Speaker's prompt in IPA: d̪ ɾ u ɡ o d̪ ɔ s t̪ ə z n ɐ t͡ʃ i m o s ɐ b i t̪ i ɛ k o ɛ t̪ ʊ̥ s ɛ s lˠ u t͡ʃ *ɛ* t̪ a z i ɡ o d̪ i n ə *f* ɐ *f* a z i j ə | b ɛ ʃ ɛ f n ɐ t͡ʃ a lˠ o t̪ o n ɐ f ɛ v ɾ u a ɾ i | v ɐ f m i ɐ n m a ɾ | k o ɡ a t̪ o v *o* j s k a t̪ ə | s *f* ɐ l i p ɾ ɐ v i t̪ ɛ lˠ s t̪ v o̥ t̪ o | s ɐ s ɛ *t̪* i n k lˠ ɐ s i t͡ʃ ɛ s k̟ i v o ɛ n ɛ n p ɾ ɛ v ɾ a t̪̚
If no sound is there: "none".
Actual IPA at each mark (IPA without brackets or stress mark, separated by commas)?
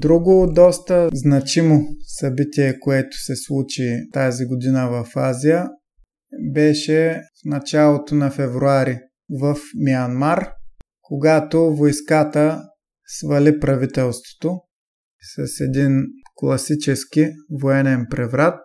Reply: i, v, f, o, v, d̪